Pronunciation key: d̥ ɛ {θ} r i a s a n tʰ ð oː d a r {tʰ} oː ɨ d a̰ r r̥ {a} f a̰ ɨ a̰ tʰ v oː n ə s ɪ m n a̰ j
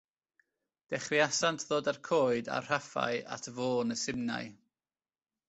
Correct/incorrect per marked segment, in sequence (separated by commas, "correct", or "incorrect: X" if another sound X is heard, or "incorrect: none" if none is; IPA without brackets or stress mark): incorrect: χ, incorrect: kʰ, correct